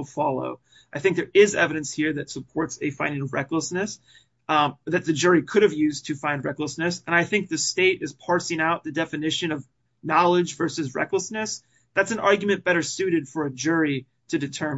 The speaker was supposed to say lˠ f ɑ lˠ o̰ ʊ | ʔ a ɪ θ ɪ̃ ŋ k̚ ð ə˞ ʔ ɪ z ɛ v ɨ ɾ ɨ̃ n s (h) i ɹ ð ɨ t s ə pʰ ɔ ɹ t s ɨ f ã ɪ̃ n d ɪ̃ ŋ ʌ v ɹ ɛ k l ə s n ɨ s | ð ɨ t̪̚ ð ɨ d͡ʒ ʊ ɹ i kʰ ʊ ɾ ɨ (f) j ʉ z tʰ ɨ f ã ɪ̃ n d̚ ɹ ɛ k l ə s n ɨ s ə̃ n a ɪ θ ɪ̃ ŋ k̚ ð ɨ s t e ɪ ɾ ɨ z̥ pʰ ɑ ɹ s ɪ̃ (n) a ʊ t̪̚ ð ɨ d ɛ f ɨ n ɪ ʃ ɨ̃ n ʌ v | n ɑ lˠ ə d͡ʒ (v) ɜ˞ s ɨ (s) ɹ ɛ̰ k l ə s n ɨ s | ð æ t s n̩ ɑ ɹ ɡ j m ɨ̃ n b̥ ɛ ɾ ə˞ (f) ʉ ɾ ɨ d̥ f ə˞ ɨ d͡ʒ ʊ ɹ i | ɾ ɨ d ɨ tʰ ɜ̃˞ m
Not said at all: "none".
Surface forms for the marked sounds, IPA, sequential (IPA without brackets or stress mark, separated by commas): h, v, ŋ, v, z, s